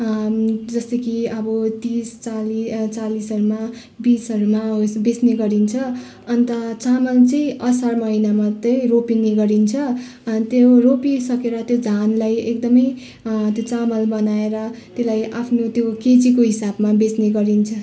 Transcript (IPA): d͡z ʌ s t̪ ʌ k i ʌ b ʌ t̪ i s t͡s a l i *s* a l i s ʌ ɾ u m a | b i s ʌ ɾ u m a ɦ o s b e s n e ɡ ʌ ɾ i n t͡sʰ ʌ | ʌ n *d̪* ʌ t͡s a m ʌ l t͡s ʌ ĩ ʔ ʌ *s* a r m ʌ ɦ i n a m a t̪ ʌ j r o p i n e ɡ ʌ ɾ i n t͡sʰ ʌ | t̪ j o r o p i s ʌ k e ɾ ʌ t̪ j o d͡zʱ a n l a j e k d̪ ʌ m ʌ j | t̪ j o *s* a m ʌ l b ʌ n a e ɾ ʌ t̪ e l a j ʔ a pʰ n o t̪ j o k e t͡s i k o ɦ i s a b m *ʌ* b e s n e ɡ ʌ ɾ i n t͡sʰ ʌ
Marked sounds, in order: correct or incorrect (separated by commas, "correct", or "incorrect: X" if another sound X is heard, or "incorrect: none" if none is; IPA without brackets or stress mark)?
incorrect: t͡s, incorrect: t̪, correct, incorrect: t͡s, incorrect: a